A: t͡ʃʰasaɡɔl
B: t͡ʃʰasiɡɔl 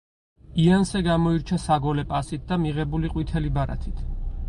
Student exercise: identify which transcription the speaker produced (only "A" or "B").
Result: A